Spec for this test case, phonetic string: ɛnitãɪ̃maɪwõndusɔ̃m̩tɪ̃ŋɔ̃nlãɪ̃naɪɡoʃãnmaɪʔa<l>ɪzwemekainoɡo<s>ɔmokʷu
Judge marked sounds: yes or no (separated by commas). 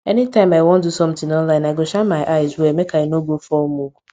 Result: no, no